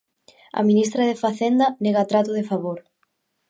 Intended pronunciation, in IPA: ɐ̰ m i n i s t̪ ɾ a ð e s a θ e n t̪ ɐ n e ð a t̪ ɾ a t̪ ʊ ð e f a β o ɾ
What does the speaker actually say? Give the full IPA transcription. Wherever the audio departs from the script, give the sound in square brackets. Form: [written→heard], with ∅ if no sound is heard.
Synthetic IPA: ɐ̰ m i n i s t̪ ɾ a ð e [s→f] a θ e n [t̪→d̪] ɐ n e [ð→ɣ] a t̪ ɾ a t̪ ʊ ð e f a β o ɾ